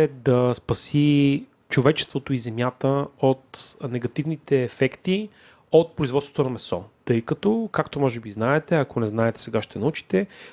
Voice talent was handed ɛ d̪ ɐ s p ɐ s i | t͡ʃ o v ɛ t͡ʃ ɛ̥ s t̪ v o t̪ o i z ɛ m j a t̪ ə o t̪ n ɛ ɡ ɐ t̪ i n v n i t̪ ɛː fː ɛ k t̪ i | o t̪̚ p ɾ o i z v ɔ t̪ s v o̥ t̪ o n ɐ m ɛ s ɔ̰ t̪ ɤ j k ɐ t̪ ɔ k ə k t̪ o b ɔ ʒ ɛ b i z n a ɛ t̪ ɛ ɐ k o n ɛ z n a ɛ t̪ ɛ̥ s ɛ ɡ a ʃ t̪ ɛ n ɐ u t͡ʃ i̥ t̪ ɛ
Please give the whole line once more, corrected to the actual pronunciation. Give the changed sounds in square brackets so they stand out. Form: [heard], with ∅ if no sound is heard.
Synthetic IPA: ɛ d̪ ɐ s p ɐ s i | t͡ʃ o v ɛ t͡ʃ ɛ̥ s t̪ v o t̪ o i z ɛ m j a t̪ ə o t̪ n ɛ ɡ ɐ t̪ i [∅] v n i t̪ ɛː [f] ɛ k t̪ i | o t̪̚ p ɾ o i z v ɔ t̪ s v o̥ t̪ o n ɐ m ɛ s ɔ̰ t̪ ɤ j k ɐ t̪ ɔ k [a] k t̪ o [m] ɔ ʒ ɛ b i z n a ɛ t̪ ɛ ɐ k o n ɛ z n a ɛ t̪ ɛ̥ s ɛ ɡ a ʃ t̪ ɛ n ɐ u t͡ʃ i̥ t̪ ɛ